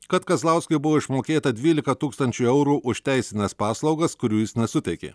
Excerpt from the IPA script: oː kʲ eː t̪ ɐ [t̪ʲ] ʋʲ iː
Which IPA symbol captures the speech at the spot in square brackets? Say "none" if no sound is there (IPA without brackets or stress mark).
d̪ʲ